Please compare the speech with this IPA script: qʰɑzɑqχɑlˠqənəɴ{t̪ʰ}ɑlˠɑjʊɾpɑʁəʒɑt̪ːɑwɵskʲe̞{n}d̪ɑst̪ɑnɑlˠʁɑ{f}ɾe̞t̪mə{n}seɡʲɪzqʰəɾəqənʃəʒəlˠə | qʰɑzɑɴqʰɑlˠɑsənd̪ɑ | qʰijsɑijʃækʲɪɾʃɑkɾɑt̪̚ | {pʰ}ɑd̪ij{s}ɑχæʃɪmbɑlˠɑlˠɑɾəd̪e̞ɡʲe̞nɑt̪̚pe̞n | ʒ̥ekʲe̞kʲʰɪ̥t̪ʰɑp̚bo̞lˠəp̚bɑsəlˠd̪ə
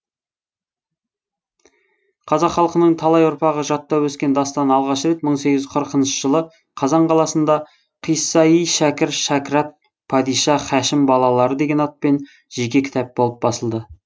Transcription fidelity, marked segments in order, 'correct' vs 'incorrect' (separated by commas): correct, correct, incorrect, incorrect, correct, incorrect